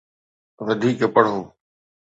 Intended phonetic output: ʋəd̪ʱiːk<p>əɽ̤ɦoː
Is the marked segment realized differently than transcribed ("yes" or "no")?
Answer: no